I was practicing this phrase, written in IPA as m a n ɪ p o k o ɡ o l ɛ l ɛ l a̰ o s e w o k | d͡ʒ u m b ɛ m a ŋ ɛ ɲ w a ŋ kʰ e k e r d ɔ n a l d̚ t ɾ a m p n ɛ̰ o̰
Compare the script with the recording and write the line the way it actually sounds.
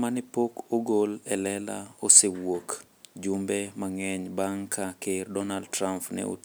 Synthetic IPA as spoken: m a n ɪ p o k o ɡ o l ɛ l ɛ l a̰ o s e w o k | d͡ʒ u m b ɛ m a ŋ ɛ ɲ b a ŋ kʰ a k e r d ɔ n a l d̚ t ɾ a m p n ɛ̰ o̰